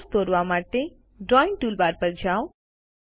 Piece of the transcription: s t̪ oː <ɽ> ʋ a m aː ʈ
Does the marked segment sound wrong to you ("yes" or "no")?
yes